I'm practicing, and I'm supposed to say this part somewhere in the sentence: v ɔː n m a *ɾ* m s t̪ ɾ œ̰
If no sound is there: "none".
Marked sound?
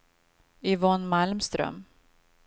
l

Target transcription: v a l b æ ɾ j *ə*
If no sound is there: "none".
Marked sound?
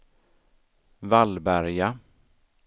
a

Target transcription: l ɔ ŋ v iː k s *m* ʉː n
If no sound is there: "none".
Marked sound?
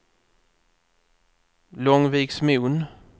m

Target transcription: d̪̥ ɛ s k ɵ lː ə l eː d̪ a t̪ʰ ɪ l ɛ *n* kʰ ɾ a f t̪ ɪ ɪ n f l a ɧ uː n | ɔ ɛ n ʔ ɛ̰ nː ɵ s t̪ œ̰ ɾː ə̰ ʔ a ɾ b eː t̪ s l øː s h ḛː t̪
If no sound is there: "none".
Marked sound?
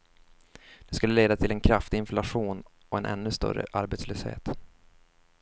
n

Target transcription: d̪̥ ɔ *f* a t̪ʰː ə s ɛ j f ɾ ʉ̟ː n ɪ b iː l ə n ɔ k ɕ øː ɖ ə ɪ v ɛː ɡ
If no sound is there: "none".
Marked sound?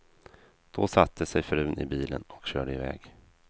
s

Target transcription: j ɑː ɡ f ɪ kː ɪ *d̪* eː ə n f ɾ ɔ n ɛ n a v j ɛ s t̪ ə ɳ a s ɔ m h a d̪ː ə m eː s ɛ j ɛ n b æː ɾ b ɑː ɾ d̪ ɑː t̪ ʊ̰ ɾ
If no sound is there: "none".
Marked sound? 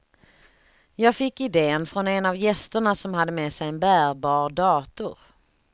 d̪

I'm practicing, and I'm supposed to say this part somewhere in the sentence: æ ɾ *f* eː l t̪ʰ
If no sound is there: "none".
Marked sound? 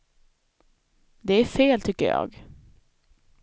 f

